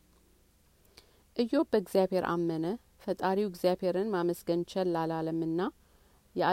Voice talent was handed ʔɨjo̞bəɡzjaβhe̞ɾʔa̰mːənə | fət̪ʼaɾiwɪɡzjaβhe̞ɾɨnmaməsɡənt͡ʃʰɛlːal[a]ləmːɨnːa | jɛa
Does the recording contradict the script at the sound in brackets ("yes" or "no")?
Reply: no